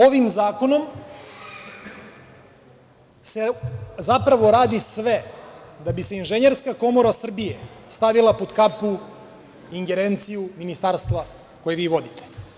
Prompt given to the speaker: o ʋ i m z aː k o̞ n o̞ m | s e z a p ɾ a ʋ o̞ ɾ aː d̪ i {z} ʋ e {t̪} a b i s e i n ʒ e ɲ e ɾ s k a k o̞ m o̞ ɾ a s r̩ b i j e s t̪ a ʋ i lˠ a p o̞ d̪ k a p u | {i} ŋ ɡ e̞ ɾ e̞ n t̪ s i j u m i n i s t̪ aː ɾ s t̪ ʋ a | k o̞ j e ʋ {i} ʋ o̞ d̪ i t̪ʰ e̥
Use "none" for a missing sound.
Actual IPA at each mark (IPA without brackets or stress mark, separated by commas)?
s, d̪, i, iː